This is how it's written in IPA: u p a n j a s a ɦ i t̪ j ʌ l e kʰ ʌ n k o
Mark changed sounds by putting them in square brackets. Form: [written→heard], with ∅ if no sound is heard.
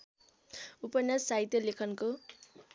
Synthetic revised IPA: u p [a→ʌ] n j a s a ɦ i t̪ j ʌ l e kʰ ʌ n k o